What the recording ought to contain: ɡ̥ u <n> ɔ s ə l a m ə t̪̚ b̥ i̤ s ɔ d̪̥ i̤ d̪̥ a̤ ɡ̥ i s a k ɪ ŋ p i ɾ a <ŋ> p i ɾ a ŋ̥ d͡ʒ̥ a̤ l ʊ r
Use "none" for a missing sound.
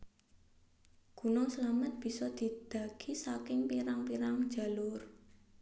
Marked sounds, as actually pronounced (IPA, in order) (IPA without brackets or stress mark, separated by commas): n, ŋ